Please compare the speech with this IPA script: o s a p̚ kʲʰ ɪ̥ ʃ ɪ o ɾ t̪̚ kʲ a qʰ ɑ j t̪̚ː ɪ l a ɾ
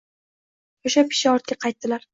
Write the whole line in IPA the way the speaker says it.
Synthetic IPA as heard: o ʃ a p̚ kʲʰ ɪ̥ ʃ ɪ ɒ ɾ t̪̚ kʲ a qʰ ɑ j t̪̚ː ɪ l a ɾ